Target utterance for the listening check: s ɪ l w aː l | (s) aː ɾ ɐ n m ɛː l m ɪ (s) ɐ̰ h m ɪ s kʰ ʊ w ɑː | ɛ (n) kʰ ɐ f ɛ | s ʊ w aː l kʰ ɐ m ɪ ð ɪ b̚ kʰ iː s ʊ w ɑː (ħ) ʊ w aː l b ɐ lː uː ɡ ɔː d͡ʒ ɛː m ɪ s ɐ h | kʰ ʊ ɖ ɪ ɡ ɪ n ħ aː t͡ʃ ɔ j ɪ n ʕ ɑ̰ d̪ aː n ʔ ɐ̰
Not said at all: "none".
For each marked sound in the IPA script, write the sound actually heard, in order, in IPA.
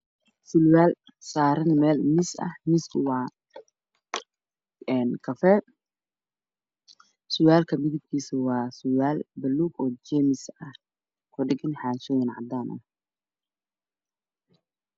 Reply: s, s, n, s

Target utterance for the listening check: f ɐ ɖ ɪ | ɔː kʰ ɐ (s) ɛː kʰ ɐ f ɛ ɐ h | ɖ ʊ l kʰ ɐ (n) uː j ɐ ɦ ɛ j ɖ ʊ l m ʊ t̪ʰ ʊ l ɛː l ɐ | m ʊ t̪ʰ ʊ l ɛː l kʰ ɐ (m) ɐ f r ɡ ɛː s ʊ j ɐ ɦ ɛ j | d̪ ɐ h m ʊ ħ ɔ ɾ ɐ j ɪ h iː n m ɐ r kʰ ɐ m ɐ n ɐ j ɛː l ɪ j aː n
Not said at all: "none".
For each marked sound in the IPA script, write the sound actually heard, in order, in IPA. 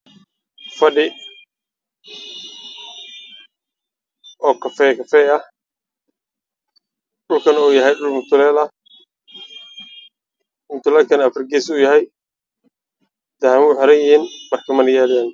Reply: f, n, n

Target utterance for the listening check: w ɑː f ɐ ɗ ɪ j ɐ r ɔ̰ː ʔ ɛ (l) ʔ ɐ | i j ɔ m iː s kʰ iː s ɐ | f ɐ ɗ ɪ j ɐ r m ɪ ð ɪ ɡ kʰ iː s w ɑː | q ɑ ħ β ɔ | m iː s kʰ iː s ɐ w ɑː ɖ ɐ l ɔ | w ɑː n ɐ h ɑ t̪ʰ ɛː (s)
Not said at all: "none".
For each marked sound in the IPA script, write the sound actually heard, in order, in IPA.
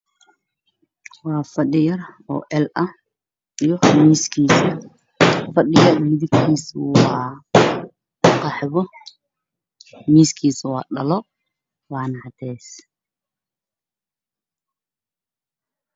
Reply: l, s

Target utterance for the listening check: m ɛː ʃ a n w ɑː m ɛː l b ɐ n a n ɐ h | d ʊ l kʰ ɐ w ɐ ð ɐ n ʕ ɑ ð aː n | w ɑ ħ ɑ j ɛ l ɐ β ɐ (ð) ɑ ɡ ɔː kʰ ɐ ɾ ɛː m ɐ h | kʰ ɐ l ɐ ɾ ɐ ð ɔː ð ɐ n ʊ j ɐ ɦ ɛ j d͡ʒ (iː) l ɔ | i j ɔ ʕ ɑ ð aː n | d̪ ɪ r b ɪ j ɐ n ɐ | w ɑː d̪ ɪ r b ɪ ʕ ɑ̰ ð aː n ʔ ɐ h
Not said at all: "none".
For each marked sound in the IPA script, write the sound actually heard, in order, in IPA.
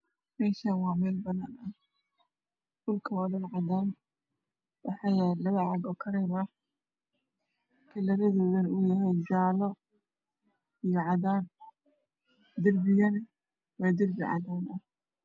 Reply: ʕ, aː

